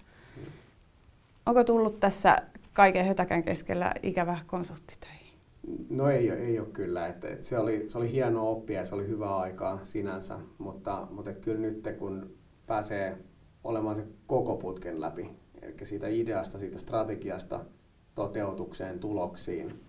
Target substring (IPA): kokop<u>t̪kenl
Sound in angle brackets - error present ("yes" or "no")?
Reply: no